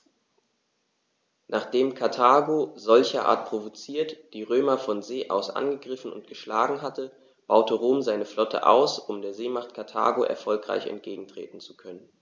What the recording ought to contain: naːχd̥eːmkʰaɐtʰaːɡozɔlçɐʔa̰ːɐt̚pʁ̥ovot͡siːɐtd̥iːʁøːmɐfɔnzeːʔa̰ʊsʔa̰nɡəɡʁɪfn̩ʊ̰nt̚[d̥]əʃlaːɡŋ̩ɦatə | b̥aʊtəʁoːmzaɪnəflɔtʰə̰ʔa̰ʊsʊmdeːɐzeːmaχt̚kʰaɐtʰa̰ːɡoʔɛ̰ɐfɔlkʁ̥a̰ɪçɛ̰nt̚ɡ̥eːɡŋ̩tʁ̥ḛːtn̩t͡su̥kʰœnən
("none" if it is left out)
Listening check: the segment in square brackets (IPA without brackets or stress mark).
ɡ̥